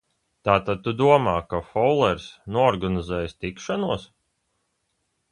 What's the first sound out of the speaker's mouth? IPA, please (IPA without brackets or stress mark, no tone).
t̪